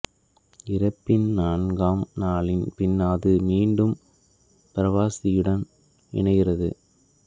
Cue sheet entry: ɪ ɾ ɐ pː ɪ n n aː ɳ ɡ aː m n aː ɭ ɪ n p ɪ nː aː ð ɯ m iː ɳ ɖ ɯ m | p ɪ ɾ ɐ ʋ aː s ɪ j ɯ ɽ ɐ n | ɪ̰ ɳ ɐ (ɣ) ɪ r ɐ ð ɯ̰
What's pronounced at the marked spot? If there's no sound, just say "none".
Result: ɣ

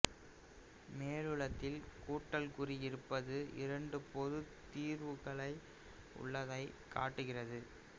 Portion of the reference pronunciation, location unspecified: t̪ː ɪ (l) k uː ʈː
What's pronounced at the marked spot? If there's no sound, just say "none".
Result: l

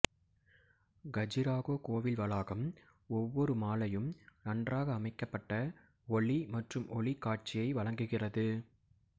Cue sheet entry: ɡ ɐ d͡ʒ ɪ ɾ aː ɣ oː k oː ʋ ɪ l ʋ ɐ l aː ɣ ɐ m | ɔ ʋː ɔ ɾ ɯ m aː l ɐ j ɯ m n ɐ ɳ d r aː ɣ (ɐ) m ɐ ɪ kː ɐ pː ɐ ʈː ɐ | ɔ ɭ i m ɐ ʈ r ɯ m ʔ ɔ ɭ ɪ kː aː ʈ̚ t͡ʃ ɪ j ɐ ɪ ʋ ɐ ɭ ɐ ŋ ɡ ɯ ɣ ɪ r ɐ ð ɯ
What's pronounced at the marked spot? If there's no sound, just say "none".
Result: ɐː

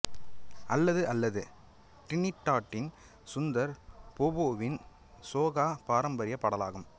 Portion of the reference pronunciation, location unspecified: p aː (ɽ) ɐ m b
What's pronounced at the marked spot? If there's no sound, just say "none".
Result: ɾ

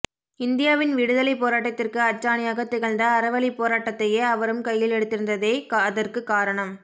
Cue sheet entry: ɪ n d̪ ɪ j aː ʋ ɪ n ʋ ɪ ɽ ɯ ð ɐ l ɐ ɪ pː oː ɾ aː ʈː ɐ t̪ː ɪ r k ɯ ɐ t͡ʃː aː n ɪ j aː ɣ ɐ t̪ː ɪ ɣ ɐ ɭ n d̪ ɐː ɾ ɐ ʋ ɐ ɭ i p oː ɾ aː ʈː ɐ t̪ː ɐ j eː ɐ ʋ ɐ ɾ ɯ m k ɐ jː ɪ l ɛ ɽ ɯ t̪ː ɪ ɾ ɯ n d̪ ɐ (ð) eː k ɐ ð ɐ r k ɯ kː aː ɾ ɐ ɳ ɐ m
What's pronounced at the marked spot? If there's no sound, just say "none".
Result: ð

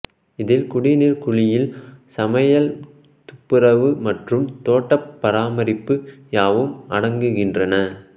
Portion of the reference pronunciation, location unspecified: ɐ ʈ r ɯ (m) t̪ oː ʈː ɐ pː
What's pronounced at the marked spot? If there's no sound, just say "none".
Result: m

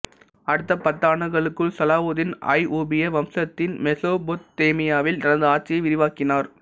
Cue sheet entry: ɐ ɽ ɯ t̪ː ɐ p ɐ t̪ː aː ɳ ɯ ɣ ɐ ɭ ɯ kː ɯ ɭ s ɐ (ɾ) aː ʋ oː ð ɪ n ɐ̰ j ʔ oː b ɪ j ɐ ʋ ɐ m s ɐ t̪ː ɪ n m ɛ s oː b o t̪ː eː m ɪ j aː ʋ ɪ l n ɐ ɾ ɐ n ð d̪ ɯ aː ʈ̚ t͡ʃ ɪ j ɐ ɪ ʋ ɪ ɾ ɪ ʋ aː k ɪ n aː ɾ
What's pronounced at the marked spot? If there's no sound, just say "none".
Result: l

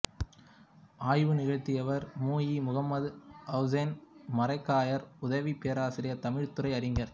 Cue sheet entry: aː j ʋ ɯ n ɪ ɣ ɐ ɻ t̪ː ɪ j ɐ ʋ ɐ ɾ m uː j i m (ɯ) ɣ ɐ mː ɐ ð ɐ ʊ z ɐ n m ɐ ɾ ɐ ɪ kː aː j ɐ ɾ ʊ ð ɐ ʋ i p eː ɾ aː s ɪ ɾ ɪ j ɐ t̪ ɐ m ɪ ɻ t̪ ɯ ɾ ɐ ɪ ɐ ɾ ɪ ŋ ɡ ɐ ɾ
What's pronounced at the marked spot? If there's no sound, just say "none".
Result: ʊ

